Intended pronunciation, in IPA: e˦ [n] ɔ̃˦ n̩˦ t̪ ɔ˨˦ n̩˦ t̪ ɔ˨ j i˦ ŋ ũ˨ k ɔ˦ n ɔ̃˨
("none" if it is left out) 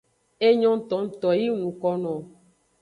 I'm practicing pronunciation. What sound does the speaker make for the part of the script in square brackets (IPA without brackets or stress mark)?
ɲ